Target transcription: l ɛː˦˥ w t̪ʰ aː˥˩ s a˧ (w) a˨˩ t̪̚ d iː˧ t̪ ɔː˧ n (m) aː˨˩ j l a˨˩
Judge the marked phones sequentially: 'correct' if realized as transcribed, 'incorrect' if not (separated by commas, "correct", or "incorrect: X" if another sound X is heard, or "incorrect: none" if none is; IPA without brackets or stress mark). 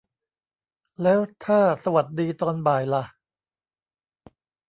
correct, incorrect: b